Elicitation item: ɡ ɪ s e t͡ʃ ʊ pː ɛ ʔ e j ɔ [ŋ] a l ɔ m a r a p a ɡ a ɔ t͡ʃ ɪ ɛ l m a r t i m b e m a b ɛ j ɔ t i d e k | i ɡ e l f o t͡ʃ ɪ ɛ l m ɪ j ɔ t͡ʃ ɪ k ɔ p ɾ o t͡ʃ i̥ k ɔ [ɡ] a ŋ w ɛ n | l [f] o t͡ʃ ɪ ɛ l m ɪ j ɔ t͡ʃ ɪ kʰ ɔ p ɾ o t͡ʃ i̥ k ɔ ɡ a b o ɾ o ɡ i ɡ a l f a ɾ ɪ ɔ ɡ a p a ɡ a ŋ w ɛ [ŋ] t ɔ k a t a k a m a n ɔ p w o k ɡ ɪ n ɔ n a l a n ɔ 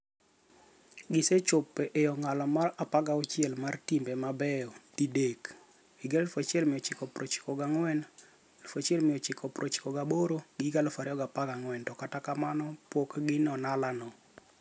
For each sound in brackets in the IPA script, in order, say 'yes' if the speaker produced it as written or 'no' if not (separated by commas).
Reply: yes, yes, yes, no